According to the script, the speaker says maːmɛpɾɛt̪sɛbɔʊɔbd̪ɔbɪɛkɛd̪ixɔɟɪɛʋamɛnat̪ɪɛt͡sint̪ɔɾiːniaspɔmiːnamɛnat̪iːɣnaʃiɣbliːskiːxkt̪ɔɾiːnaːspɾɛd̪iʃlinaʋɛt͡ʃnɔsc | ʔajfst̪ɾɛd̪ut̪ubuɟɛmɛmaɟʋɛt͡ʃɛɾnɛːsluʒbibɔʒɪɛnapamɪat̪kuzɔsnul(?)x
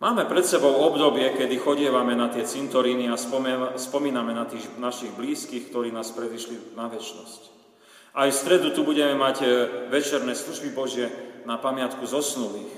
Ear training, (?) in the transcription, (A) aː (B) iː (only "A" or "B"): B